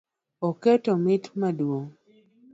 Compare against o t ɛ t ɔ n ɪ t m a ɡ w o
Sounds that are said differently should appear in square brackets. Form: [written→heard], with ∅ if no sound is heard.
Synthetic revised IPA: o [t→k] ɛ t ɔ [n→m] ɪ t m a [ɡ→d] w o